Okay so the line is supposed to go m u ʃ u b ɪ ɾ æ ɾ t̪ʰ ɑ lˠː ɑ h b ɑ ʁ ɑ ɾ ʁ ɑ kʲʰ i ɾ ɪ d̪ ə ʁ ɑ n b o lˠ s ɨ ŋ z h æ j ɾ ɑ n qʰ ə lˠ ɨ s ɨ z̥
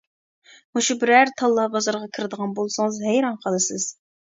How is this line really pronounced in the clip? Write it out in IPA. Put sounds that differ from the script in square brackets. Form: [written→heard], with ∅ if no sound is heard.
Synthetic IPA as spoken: m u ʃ u b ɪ ɾ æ ɾ t̪ʰ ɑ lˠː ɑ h b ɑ [ʁ→z] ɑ ɾ ʁ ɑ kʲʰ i ɾ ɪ d̪ ə ʁ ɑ n b o lˠ s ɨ ŋ z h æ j ɾ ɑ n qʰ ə lˠ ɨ s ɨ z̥